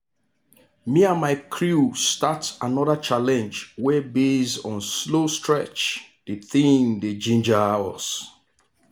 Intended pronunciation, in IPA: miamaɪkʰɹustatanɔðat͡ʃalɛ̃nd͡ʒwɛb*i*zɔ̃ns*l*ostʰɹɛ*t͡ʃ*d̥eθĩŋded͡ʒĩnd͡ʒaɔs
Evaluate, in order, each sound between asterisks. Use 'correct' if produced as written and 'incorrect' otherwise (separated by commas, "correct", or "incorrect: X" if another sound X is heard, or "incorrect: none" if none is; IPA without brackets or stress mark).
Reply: incorrect: e, correct, correct